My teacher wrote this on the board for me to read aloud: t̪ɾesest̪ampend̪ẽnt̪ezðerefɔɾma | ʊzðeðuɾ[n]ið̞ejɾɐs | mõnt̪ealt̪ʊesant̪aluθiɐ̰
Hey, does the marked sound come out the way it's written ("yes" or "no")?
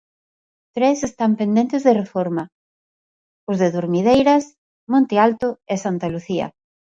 no